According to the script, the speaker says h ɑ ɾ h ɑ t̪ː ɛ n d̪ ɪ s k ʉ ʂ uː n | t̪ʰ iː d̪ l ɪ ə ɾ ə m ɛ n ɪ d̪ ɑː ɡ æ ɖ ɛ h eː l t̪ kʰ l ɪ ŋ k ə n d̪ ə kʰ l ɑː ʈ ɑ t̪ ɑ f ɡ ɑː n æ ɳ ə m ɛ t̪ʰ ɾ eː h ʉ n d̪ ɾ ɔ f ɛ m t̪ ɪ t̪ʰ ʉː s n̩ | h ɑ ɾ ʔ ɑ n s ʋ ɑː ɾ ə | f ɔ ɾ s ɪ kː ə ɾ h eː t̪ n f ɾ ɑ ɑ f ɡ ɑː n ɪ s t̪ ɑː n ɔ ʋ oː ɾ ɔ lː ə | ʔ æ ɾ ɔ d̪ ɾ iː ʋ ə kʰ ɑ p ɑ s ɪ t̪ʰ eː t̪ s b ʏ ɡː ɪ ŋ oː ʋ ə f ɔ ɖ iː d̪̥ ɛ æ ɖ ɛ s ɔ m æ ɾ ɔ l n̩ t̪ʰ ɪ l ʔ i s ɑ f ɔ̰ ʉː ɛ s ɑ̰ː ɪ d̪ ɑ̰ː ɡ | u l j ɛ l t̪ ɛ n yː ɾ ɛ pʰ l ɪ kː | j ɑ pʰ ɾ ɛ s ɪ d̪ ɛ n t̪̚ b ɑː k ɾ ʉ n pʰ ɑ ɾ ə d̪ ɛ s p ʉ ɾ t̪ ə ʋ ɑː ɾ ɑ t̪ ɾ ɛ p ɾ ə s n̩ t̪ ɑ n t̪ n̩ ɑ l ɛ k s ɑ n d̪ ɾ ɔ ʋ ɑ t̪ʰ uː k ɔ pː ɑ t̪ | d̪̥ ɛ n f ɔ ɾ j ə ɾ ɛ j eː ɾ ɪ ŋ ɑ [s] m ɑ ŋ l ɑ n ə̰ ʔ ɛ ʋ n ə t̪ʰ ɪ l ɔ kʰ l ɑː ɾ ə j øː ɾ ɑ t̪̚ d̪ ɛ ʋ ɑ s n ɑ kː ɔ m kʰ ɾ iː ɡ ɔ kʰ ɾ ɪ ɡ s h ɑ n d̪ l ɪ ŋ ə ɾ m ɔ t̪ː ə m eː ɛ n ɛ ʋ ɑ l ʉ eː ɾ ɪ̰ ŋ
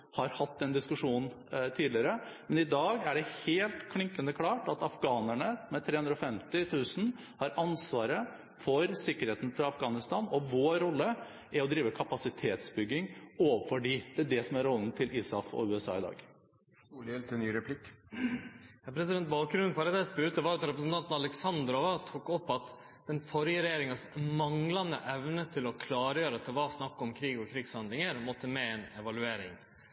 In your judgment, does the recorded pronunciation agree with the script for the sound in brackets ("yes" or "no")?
yes